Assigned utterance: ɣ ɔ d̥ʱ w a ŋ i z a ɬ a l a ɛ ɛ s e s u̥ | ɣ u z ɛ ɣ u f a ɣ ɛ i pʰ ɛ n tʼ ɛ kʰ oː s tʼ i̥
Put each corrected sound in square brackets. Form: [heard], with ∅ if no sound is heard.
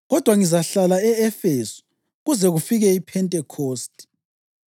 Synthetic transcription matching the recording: ɣ ɔ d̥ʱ w a ŋ i z a ɬ a l a ɛ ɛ [f] e s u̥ | ɣ u z ɛ ɣ u f [i] ɣ ɛ i pʰ ɛ n tʼ ɛ kʰ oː s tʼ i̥